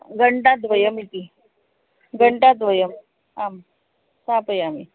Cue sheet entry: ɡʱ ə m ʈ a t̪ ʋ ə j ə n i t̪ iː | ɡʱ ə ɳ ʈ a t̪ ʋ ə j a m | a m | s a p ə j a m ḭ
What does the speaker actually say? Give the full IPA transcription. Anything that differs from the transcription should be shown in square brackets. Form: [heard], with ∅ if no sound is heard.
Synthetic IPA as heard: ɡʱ ə [ɳ] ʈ a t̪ ʋ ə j ə [m] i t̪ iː | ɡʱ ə ɳ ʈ a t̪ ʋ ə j [ə] m | a m | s a p ə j a m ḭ